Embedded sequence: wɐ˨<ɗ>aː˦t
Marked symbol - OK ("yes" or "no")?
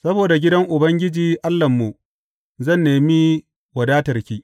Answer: no